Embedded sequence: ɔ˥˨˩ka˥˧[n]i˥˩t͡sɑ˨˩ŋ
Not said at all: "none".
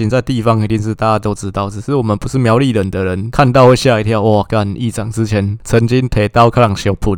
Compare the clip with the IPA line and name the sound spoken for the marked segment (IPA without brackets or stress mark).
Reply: n